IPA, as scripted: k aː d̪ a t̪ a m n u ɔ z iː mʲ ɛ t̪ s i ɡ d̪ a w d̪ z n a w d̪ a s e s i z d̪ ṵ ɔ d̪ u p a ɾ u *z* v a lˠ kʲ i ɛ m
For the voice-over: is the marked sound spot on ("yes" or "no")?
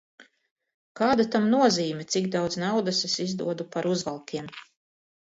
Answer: yes